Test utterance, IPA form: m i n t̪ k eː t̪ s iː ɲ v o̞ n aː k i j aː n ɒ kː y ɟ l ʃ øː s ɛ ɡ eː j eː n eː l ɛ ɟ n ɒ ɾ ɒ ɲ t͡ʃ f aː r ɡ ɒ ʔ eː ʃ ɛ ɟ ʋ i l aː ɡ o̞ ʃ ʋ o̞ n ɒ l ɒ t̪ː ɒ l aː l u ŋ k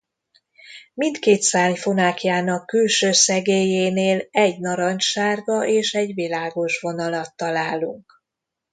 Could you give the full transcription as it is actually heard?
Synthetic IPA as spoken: m i n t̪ k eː t̪ s aː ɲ f o̞ n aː k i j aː n ɒ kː y l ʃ øː s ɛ ɡ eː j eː n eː l ɛ ɟ n ɒ ɾ ɒ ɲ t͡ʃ ʃ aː r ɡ ɒ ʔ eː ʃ ɛ ɟ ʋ i l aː ɡ o̞ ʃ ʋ o̞ n ɒ l ɒ t̪ː ɒ l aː l u ŋ k